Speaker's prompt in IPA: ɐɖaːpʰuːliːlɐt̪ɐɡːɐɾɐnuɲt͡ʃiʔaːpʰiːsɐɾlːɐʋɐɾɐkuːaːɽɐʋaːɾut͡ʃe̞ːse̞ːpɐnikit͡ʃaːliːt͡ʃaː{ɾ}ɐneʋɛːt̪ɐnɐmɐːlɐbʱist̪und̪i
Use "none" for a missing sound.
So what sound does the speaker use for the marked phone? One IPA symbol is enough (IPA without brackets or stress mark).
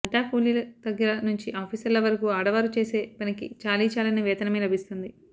l